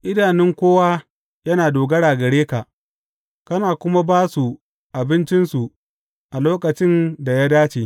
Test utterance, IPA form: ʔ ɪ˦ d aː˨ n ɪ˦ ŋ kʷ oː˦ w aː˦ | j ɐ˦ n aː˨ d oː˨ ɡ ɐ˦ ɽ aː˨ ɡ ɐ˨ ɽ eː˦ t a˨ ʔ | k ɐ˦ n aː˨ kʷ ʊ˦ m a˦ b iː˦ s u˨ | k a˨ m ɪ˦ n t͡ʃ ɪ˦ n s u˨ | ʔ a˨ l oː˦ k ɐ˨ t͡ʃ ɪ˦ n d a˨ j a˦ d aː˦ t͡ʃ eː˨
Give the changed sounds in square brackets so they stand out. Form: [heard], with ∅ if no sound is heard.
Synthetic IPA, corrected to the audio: ʔ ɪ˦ d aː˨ n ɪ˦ ŋ kʷ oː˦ w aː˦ | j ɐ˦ n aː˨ d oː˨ ɡ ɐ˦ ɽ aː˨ ɡ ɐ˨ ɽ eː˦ [k] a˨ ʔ | k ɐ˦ n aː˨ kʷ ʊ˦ m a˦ b [aː˦] s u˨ | [ʔ] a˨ [b] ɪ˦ n t͡ʃ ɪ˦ n s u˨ | ʔ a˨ l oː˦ k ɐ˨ t͡ʃ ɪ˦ n d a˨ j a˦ d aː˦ t͡ʃ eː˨